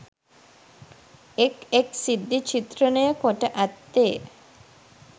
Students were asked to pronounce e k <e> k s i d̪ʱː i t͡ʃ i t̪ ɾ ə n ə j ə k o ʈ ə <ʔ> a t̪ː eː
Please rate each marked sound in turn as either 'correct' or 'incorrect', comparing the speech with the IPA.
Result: correct, correct

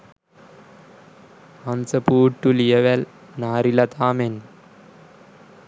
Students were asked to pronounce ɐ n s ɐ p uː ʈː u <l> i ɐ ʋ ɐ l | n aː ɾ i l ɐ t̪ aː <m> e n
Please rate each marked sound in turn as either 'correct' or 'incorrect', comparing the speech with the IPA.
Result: correct, correct

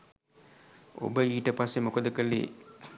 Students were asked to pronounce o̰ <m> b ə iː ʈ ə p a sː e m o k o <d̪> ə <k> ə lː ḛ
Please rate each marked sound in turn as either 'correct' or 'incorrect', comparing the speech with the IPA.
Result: incorrect: none, correct, correct

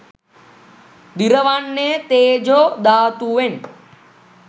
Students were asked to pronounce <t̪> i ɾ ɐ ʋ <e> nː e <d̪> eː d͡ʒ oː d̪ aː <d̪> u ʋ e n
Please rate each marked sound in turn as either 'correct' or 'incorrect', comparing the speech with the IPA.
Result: incorrect: d̪, incorrect: a, incorrect: t̪, incorrect: t̪

